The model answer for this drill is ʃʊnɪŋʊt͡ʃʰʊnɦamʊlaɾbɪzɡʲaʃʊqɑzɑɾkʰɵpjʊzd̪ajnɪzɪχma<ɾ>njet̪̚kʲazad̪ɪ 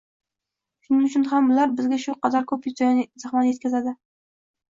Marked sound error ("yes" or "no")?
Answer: yes